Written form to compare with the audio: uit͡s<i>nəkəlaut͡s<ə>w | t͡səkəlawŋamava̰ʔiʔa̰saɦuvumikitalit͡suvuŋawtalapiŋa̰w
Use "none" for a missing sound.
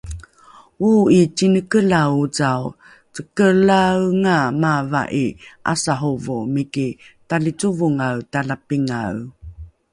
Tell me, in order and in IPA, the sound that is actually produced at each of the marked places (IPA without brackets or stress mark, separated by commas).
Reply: i, a